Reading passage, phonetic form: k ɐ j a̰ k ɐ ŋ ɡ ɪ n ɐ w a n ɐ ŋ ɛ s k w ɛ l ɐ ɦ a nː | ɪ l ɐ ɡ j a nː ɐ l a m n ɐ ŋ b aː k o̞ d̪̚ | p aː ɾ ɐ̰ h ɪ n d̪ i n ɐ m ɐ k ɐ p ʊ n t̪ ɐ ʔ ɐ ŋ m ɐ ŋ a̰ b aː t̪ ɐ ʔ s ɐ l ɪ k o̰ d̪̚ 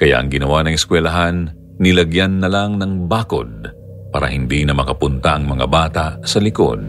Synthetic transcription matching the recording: k ɐ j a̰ ʔ ɐ ŋ ɡ ɪ n ɐ w a n ɐ ŋ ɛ s k w ɛ l ɐ ɦ a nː | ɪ l ɐ ɡ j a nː ɐ l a ŋ n ɐ ŋ b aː k o̞ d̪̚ | p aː ɾ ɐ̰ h ɪ n d̪ i n ɐ m ɐ k ɐ p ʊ n t̪ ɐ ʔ ɐ ŋ m ɐ ŋ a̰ b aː t̪ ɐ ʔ s ɐ l ɪ k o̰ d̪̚